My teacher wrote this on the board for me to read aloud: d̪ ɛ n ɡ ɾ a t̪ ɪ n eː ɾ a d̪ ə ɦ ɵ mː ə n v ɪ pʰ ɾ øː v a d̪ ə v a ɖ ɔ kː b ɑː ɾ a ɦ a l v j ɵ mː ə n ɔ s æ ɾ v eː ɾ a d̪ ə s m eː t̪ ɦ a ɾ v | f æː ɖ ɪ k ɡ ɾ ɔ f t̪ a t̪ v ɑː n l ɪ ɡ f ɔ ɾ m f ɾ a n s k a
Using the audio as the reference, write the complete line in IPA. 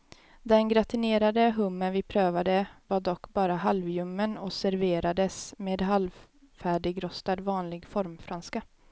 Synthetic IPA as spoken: d̪ ɛ n ɡ ɾ a t̪ ɪ n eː ɾ a d̪ ə ɦ ɵ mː ə n v ɪ pʰ ɾ øː v a d̪ ə v a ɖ ɔ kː b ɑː ɾ a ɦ a l v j ɵ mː ə n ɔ s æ ɾ v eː ɾ a d̪ ə s m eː d̪ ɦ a l v | f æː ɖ ɪ ɡ ɾ ɔ s t̪ a d̪ v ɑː n l ɪ ɡ f ɔ ɾ m f ɾ a n s k a